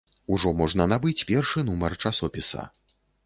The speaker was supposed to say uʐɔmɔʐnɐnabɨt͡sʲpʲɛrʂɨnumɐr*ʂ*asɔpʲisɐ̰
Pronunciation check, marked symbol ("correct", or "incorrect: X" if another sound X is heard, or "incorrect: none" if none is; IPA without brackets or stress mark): incorrect: t͡ʂ